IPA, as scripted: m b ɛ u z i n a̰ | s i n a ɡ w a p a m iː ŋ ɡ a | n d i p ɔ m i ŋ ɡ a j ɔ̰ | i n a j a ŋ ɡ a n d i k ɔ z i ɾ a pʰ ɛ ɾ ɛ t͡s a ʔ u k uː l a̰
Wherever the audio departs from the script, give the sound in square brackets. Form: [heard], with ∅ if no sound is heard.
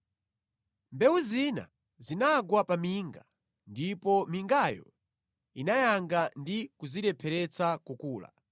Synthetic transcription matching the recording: m b ɛ u z i n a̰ | [z] i n a ɡ w a p a m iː ŋ ɡ a | n d i p ɔ m i ŋ ɡ a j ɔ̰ | i n a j a ŋ ɡ a n d i k [u] z i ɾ [ɛ] pʰ ɛ ɾ ɛ t͡s a [k] u k uː l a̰